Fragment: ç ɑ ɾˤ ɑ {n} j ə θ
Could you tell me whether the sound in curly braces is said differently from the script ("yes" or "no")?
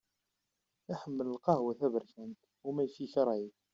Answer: yes